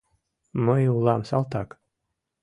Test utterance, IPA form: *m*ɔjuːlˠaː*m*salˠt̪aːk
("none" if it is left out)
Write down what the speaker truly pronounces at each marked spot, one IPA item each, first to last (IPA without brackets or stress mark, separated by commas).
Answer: m, m